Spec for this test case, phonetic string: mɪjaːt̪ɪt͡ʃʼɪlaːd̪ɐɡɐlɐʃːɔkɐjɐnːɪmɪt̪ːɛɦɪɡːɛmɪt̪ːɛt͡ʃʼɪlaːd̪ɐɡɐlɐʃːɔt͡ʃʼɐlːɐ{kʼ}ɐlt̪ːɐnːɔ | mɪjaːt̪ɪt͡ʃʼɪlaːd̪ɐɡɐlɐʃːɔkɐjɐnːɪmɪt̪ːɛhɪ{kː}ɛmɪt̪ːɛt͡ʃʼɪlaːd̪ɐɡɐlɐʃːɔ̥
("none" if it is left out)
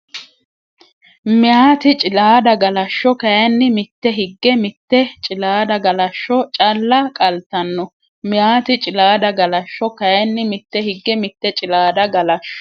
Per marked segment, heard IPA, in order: kʼ, ɡː

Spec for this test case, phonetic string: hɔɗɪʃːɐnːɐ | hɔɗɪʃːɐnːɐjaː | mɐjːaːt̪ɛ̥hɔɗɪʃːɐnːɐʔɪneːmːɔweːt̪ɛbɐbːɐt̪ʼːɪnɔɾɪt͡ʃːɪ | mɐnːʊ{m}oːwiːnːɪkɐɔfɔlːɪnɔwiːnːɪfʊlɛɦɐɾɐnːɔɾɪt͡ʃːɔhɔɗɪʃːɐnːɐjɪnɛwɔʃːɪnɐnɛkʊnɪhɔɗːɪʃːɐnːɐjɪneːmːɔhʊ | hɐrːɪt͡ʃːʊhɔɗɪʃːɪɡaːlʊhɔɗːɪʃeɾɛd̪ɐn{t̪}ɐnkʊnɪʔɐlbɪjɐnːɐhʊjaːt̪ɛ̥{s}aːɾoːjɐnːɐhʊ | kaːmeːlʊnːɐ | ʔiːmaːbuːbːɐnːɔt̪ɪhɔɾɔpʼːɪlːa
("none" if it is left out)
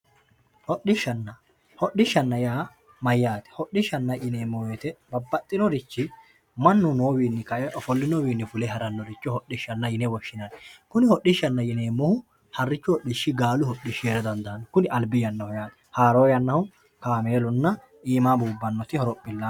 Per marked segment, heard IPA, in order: n, d̪, h

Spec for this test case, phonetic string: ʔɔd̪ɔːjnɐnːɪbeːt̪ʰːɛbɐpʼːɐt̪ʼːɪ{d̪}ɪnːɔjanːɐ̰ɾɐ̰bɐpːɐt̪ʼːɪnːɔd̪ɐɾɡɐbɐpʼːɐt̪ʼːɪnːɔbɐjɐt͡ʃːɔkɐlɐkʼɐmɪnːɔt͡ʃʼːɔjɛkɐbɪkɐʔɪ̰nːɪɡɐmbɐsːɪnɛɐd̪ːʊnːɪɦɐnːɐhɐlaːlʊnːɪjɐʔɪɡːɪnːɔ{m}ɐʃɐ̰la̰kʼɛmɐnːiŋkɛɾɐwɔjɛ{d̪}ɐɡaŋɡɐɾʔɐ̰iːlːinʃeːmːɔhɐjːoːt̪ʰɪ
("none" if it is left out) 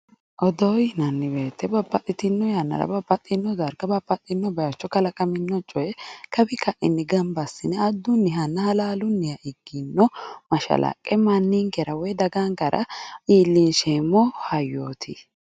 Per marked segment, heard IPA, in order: t̪, m, d̪

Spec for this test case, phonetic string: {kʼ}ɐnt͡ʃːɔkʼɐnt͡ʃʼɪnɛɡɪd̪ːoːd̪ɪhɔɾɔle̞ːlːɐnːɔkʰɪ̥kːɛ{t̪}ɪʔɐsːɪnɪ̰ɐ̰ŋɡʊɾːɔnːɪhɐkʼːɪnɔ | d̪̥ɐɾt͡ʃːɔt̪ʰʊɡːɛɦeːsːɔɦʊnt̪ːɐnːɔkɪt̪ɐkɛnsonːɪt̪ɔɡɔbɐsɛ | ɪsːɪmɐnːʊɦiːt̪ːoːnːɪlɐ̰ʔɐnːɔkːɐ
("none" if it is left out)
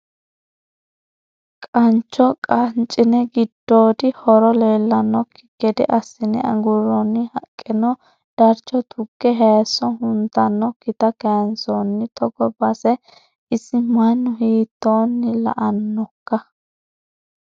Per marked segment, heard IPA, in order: kʼ, d̪

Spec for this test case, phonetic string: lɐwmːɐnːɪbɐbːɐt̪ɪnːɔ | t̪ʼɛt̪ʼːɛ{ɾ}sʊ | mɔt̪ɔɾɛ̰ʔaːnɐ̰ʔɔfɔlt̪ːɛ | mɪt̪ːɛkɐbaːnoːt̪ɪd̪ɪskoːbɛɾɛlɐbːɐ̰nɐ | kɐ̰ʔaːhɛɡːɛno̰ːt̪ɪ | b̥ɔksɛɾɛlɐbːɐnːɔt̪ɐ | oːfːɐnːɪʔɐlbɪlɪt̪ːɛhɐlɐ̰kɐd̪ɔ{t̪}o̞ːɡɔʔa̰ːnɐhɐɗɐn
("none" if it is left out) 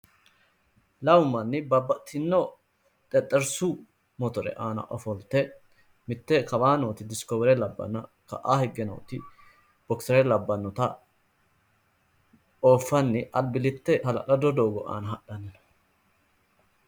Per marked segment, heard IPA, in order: ɾ, d̪

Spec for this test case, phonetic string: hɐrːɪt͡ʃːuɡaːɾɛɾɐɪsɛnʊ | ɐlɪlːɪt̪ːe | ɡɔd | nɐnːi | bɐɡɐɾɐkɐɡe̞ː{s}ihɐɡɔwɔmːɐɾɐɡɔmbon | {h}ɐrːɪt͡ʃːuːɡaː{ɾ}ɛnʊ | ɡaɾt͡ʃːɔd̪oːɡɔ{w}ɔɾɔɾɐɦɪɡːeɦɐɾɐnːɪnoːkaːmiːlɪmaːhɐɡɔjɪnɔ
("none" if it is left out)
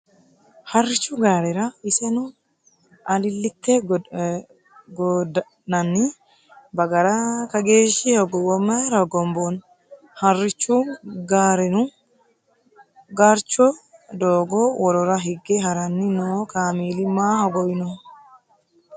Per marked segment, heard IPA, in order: ʃ, h, ɾ, w

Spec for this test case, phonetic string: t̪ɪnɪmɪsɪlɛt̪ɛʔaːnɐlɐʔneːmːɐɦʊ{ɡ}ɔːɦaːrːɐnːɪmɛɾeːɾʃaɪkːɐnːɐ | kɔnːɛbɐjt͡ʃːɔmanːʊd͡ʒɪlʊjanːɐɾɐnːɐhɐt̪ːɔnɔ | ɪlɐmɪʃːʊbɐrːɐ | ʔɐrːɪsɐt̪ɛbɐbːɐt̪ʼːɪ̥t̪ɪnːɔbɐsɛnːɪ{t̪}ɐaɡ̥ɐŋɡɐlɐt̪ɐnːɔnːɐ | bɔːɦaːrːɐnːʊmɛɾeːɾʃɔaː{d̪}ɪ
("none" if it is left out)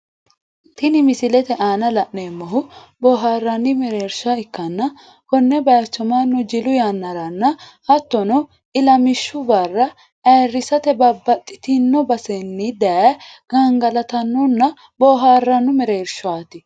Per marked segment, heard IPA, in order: b, d̪, t̪

